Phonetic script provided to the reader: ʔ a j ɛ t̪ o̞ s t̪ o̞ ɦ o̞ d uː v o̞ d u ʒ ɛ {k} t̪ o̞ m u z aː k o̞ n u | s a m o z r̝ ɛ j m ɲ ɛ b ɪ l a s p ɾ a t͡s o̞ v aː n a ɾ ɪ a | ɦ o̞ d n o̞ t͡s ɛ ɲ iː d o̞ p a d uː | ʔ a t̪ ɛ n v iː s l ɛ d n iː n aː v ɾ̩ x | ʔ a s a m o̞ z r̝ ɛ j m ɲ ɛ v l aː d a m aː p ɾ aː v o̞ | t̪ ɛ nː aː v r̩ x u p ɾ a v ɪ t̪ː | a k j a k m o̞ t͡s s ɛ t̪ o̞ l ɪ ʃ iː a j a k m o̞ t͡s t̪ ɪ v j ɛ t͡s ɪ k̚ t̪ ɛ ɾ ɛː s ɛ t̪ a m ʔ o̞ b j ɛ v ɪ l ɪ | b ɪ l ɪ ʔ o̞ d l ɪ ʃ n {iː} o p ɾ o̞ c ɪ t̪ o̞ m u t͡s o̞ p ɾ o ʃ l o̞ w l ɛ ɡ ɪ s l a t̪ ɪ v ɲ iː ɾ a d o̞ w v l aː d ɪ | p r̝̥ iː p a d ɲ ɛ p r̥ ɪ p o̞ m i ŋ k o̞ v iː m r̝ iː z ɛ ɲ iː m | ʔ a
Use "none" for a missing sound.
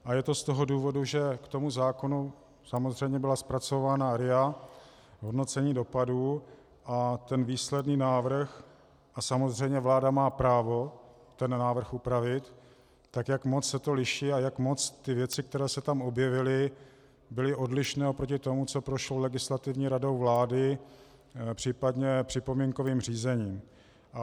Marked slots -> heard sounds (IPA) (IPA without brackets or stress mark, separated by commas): k, ɛː